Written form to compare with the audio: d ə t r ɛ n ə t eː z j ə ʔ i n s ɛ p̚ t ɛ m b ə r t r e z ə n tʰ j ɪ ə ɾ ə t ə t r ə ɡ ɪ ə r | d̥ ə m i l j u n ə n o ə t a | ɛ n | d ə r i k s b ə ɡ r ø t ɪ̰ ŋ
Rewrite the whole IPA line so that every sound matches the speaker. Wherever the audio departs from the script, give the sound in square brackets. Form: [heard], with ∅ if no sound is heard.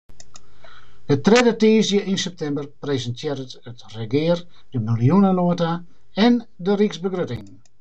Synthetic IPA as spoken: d ə t r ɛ [d] ə t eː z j ə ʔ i n s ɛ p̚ t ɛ m b ə r [p] r e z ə n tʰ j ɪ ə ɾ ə t ə t r ə ɡ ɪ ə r | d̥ ə m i l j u n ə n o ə t a | ɛ n | d ə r i k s b ə ɡ r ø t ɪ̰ ŋ